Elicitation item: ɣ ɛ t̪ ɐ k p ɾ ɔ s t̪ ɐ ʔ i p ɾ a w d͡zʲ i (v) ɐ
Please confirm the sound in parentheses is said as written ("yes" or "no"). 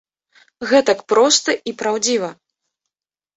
yes